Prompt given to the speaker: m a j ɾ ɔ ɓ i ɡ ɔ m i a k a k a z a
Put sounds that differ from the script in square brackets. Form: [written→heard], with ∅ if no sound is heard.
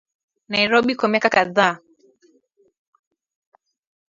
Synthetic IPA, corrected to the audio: [m→n] a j ɾ ɔ ɓ i [ɡ→k] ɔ m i a k a k a [z→ð] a